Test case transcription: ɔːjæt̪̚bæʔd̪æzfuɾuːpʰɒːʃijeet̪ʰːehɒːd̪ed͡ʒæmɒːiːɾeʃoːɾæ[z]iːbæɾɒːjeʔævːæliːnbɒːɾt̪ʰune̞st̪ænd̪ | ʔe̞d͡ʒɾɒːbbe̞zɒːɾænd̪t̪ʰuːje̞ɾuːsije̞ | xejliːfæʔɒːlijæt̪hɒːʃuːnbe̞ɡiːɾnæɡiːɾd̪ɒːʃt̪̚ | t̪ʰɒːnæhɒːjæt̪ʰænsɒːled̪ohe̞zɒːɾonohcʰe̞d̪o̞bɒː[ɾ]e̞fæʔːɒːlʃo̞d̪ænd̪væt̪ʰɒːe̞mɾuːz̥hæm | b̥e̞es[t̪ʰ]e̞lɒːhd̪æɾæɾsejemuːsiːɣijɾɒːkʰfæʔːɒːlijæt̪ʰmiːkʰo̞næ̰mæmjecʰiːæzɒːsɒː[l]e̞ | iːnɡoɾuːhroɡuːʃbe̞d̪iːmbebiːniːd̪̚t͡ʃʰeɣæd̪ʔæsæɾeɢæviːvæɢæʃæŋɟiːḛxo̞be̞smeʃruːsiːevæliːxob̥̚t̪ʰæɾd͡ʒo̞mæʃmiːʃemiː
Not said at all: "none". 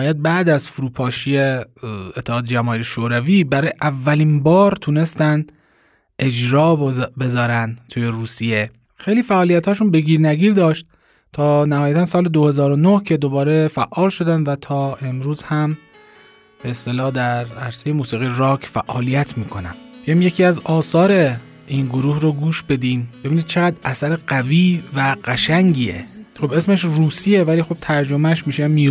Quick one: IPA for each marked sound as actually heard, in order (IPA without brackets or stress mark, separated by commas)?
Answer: v, ɾ, t̪, ɾ